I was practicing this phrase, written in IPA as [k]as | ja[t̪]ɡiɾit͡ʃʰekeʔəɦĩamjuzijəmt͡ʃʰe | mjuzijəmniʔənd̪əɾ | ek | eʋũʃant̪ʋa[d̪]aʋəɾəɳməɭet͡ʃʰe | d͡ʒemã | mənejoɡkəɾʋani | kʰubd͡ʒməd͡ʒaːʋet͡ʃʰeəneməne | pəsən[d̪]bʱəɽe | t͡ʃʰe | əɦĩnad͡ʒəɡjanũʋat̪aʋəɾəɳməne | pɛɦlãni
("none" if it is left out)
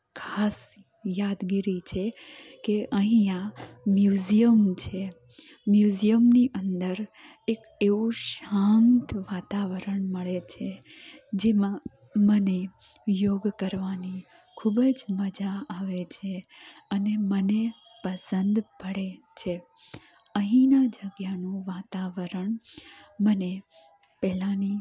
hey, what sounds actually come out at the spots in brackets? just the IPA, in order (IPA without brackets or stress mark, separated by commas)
kʰ, d̪, t̪, d̪